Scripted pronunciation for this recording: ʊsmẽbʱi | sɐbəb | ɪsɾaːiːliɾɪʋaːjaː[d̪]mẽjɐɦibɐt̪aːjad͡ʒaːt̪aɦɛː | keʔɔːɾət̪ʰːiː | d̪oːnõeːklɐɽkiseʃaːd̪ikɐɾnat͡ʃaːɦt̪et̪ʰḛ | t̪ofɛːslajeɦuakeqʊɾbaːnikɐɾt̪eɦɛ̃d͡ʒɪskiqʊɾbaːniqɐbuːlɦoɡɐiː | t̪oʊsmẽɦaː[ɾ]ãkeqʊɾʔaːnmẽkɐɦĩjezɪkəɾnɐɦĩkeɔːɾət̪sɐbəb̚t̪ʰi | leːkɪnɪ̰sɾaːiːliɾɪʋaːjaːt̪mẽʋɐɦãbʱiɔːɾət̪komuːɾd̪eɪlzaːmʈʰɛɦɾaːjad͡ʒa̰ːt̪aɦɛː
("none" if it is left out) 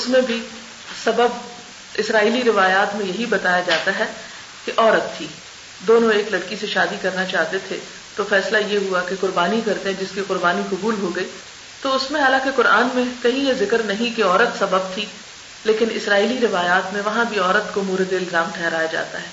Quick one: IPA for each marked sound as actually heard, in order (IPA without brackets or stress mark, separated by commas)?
t̪, l